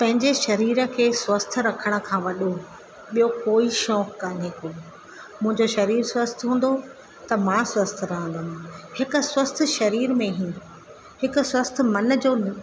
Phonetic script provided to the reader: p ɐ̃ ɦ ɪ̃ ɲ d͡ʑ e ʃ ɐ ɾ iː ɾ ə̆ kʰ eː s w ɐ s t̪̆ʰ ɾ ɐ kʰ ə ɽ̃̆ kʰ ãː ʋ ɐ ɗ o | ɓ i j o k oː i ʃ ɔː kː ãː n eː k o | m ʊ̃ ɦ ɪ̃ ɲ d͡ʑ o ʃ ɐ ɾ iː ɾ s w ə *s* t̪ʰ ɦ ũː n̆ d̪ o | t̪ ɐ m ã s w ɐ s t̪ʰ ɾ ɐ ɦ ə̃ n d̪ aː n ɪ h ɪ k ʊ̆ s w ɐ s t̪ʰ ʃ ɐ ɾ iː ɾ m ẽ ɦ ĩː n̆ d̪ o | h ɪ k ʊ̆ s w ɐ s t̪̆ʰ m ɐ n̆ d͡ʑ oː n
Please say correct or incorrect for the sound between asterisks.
correct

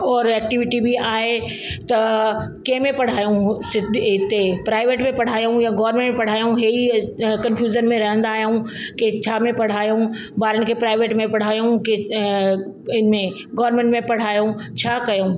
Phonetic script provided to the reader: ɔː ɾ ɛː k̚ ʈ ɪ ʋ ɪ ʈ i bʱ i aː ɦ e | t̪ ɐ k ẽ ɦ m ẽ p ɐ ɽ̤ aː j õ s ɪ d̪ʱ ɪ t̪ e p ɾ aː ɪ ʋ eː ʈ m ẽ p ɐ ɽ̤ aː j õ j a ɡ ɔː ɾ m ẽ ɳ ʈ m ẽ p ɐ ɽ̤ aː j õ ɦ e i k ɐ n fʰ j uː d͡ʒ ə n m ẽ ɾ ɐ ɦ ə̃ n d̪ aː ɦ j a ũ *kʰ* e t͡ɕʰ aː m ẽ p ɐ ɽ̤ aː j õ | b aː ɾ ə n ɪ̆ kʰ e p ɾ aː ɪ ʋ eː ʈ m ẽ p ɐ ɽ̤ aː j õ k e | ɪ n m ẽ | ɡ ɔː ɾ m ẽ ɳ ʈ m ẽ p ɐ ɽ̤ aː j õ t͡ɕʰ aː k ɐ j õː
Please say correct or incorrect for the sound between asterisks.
incorrect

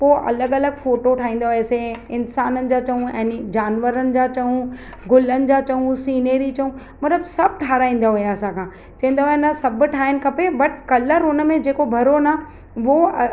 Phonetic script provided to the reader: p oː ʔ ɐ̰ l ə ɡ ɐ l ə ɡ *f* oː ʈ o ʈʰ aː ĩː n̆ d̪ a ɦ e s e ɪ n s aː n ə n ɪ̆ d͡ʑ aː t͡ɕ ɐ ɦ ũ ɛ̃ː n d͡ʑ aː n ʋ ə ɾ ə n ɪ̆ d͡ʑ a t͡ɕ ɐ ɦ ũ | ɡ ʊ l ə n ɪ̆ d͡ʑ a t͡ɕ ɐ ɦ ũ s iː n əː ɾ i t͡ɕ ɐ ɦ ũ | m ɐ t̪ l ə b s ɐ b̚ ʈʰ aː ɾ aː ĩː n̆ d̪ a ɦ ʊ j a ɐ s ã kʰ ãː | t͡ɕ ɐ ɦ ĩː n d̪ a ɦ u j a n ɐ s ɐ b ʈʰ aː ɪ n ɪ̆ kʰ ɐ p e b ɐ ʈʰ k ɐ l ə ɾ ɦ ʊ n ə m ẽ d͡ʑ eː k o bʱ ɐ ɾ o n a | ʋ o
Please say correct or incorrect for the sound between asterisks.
correct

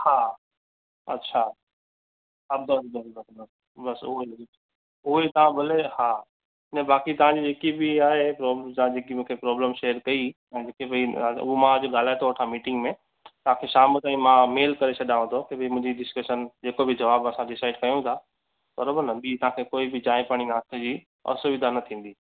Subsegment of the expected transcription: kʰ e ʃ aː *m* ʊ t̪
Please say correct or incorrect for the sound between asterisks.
correct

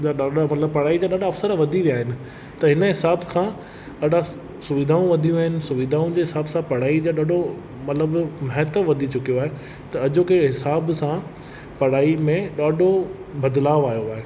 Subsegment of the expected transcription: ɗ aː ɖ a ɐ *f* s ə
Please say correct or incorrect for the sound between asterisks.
correct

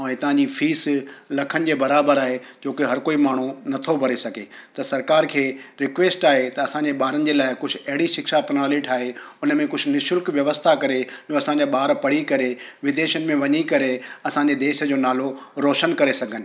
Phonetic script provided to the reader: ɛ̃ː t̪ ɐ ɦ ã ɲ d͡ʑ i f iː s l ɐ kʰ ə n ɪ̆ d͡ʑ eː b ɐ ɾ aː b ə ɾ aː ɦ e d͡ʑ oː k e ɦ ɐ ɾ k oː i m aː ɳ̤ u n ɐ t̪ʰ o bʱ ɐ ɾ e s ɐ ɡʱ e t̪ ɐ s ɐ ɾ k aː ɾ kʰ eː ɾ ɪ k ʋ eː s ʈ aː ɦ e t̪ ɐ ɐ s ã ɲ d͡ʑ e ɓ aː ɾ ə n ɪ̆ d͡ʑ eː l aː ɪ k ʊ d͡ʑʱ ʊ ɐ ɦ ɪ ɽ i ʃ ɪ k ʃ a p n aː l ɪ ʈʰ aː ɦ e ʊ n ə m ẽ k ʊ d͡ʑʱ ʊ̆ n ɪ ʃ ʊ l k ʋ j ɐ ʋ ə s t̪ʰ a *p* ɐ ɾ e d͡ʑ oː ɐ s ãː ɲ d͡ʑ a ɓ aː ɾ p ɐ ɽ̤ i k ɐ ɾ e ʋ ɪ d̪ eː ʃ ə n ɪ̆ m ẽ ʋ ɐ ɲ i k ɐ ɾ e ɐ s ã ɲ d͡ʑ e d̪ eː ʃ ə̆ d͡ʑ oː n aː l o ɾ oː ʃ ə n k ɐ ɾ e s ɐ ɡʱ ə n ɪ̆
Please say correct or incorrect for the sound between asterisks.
incorrect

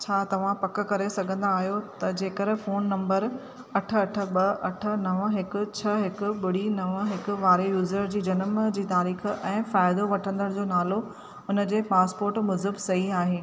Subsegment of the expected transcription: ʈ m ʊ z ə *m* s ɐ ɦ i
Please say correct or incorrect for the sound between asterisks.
incorrect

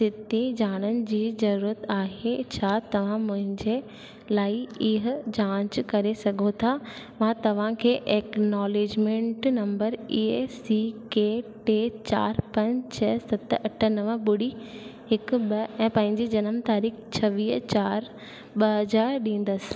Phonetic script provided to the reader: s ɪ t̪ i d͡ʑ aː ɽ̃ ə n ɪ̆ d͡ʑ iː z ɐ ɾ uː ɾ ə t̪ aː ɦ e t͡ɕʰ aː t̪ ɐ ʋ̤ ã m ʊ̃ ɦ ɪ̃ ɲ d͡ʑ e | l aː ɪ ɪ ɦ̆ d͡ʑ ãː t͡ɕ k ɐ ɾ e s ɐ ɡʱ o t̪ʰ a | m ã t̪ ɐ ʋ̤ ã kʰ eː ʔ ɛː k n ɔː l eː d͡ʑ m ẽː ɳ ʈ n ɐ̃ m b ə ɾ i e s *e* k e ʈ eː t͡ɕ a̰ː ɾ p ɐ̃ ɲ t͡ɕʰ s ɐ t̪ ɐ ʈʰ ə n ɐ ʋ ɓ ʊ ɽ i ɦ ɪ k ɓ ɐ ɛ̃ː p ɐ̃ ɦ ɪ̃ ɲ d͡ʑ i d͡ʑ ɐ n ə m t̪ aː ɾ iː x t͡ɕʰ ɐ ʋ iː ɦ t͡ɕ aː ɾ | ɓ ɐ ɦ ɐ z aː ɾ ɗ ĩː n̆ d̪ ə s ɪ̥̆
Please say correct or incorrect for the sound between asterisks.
incorrect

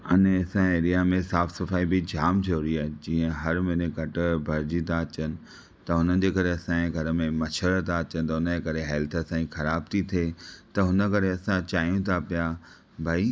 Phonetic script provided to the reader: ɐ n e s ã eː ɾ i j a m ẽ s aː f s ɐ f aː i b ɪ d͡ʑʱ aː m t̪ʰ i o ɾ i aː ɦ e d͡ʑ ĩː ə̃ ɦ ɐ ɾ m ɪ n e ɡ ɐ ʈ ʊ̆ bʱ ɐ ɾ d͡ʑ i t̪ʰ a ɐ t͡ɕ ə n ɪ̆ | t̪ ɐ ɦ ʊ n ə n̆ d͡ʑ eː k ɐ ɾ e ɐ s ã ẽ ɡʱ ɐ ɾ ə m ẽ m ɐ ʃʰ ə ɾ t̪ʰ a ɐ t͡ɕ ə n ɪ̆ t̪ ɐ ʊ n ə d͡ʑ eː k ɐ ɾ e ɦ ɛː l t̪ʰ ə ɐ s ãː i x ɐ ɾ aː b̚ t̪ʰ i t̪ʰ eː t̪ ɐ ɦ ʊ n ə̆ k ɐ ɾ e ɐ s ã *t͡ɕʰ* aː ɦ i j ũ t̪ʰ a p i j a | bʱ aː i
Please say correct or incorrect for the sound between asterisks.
incorrect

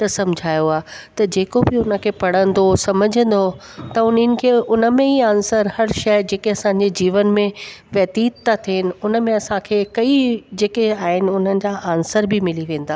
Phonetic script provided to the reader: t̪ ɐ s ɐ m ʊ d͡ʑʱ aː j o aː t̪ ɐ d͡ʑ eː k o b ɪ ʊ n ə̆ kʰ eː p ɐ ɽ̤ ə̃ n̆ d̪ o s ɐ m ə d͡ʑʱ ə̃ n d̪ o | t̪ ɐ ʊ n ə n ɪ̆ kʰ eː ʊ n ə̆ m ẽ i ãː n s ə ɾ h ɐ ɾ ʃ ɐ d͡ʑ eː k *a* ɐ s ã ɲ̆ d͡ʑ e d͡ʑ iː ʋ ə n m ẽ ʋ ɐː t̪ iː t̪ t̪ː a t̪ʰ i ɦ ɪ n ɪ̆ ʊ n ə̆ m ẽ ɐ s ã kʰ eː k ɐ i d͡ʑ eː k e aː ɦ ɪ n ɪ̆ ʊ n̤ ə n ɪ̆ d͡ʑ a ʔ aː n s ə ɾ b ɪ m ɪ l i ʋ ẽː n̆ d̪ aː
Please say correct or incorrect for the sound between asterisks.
incorrect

